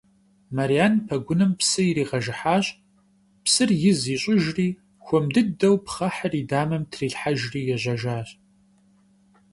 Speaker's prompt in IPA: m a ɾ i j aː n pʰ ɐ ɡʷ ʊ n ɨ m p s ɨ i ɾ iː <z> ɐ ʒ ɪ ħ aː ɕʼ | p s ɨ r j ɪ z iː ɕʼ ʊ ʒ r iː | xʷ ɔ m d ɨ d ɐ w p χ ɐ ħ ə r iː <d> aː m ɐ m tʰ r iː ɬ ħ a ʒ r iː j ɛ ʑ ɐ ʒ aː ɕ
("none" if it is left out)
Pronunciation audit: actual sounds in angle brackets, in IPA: ʁ, d

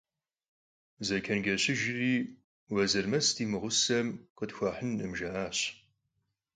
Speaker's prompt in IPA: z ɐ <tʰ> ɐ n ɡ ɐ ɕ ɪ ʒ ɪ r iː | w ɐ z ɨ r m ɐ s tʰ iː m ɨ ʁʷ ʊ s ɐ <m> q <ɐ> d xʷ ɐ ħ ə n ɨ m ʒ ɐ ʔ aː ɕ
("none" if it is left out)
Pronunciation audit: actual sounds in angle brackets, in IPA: kʰ, m, ə

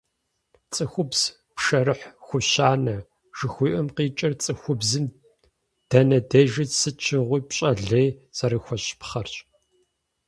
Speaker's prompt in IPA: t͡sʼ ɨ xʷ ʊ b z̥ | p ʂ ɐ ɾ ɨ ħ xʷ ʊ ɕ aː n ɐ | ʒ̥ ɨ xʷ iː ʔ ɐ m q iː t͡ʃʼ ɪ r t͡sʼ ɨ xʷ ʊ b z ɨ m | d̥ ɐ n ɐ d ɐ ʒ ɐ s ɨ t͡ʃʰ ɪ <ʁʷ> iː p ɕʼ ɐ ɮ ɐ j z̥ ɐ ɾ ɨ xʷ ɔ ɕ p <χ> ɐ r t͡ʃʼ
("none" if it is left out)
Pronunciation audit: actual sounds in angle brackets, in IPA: ʁʷ, χ

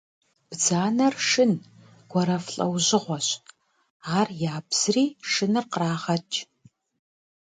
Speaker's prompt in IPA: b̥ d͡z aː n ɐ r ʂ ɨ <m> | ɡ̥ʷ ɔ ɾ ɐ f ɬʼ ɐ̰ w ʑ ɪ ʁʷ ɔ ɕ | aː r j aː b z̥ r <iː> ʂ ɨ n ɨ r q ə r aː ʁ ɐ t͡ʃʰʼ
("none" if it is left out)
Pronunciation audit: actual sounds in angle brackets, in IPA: n, iː

